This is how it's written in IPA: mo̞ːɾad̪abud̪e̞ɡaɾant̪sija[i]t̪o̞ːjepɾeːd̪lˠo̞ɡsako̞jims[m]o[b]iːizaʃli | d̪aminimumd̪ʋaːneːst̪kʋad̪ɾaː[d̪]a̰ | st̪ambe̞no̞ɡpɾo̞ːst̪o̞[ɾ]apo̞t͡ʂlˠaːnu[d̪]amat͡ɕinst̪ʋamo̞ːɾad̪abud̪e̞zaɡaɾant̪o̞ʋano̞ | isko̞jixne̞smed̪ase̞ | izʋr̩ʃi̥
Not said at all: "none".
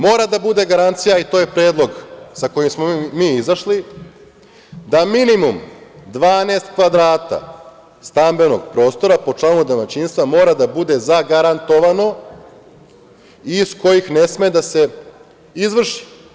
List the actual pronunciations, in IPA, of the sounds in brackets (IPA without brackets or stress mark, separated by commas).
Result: i, m, m, t̪, ɾ, d̪